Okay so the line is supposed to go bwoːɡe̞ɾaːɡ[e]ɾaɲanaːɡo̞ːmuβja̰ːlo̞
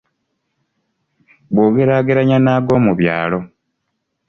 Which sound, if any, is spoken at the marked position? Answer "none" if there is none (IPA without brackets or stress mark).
e